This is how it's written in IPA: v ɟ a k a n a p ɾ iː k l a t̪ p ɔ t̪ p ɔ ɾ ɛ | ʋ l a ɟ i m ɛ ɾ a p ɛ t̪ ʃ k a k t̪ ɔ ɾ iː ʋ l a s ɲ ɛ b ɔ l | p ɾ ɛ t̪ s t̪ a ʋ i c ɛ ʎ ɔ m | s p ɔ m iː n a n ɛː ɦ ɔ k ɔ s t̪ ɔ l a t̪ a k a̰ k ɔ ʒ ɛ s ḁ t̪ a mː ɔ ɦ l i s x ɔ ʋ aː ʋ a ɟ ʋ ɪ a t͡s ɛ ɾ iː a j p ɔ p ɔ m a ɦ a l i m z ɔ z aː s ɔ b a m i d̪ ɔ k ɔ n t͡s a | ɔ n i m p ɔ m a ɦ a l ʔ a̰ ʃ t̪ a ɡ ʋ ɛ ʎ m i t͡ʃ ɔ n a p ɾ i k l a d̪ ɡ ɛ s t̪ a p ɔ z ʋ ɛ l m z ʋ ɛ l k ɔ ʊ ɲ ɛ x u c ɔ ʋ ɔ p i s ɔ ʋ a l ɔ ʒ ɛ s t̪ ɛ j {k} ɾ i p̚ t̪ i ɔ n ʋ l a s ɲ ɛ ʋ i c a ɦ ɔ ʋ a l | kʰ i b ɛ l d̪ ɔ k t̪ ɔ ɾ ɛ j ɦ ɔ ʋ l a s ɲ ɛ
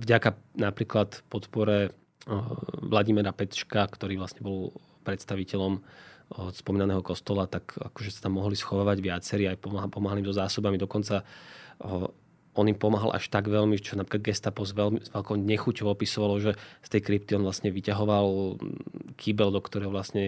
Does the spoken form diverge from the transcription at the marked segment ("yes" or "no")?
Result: no